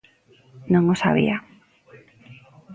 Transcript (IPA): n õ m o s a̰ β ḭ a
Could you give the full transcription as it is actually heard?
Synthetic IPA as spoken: n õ ŋ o s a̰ β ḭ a